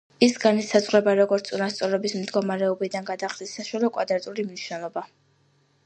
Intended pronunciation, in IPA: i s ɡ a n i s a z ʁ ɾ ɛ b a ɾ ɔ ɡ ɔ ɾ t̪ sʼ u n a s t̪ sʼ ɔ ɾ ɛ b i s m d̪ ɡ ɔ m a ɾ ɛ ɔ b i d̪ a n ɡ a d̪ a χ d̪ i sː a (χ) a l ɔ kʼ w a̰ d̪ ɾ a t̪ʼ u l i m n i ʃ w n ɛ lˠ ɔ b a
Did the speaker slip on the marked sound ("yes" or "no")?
yes